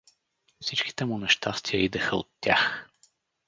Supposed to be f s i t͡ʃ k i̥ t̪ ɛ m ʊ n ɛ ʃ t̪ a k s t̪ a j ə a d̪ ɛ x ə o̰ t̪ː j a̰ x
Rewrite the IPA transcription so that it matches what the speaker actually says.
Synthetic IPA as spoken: f s i t͡ʃ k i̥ t̪ ɛ m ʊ n ɛ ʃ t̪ a s t̪ i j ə i d̪ ɛ x ə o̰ t̪ː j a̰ x